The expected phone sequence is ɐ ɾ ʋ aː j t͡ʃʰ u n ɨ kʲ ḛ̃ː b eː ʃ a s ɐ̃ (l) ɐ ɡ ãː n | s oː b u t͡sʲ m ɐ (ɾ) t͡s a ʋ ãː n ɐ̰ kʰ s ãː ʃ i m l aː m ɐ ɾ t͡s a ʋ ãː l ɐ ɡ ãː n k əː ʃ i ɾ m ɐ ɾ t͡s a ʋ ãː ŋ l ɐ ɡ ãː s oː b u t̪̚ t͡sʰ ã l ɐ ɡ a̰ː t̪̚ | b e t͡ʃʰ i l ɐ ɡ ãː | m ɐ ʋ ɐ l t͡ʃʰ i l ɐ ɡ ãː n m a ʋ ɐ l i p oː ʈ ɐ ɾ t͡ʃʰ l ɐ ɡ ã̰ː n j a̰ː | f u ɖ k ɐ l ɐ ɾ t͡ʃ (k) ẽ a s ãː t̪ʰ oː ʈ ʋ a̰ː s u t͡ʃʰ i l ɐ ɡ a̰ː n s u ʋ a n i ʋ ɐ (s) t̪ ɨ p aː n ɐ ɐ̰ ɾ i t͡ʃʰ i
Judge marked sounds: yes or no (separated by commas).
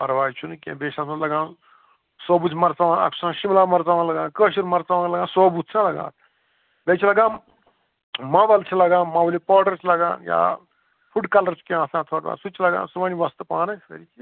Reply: yes, yes, yes, yes